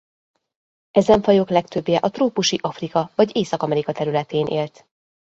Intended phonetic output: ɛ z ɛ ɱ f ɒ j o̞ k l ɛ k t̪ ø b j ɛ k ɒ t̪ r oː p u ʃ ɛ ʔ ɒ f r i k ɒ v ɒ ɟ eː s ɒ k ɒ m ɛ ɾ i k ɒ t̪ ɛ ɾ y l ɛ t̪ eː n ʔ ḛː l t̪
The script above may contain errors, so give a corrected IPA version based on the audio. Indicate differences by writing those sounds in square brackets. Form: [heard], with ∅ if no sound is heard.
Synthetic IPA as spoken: ɛ z ɛ ɱ f ɒ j o̞ k l ɛ k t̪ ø b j ɛ [ʔ] ɒ t̪ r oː p u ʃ [i] ʔ ɒ f r i k ɒ v ɒ ɟ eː s ɒ k ɒ m ɛ ɾ i k ɒ t̪ ɛ ɾ y l ɛ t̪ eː n ʔ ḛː l t̪